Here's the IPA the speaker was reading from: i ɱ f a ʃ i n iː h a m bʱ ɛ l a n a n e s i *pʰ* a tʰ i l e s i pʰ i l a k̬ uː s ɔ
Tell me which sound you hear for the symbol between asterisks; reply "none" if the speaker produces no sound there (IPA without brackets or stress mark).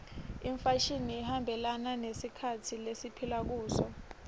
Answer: kʰ